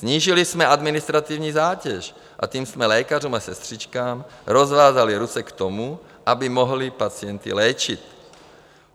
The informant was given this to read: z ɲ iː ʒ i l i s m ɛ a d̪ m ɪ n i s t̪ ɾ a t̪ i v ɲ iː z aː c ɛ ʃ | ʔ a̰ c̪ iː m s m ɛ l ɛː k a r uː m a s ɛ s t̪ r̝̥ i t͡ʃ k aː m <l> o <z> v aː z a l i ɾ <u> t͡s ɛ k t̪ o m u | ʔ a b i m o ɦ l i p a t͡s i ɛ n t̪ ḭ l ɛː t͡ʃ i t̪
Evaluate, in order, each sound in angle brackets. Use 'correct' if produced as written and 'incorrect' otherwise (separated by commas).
incorrect, correct, correct